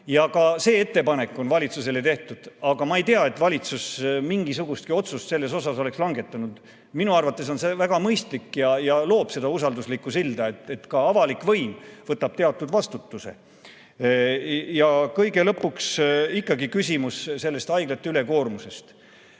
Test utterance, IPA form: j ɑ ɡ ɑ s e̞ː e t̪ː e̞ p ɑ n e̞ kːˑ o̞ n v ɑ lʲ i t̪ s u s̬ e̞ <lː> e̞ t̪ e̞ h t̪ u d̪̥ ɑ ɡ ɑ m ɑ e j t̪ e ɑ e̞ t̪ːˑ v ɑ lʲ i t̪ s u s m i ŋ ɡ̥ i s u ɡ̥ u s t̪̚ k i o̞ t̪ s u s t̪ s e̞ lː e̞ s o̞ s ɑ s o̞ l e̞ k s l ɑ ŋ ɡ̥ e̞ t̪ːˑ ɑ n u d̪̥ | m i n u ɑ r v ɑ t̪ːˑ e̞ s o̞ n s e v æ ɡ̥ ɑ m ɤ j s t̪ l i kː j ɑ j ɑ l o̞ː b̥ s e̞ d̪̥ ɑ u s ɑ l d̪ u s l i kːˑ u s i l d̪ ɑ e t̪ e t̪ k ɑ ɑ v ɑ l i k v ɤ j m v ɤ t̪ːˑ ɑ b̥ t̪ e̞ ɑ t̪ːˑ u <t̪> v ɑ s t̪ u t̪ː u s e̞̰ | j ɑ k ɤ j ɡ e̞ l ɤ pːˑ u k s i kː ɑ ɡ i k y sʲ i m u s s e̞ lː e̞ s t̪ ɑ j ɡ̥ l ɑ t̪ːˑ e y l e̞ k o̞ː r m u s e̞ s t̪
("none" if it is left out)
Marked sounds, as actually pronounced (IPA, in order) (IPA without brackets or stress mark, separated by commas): l, d̪